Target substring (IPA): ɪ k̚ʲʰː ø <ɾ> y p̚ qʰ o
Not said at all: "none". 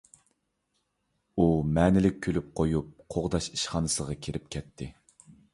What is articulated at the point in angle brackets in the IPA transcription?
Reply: l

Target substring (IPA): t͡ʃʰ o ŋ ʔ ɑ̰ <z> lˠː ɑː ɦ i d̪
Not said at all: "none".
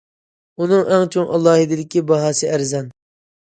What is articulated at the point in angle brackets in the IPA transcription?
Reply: none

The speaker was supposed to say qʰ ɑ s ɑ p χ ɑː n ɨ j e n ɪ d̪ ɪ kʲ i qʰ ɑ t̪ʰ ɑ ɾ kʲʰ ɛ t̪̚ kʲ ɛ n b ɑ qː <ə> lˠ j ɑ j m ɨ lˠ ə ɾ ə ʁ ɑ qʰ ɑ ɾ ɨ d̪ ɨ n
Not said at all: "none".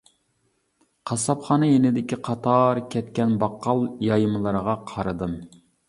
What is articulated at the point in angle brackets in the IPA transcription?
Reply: ɑ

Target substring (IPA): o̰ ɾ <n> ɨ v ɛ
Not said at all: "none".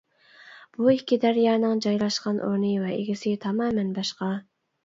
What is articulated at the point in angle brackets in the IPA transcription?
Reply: n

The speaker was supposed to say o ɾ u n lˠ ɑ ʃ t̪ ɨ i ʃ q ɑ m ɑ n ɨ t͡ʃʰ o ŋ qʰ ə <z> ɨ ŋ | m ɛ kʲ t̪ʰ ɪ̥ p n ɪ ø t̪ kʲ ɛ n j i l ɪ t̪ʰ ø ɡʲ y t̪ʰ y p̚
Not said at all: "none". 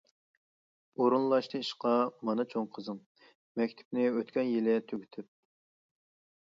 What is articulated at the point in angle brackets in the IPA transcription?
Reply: z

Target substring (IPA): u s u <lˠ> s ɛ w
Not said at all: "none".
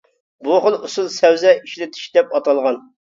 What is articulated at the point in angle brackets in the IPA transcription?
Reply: lˠ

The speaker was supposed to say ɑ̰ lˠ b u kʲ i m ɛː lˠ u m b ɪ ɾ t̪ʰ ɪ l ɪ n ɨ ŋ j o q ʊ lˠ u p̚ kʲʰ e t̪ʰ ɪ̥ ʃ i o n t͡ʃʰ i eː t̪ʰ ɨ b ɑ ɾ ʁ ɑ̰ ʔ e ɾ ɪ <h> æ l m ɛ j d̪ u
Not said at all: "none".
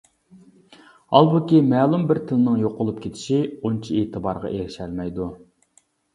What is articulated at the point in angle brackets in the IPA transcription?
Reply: ʃ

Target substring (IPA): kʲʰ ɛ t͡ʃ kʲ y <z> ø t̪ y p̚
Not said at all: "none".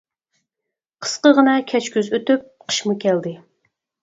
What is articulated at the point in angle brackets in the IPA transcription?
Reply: z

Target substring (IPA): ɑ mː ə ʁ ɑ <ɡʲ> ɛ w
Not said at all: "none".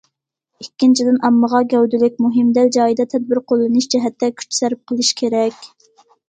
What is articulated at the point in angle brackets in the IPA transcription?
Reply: ɡʲ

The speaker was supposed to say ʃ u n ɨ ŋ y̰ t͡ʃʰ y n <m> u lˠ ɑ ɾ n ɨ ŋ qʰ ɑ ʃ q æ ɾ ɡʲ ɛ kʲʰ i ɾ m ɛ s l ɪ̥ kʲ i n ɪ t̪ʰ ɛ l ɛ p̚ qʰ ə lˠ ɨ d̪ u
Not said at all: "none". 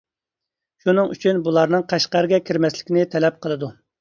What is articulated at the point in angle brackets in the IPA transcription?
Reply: b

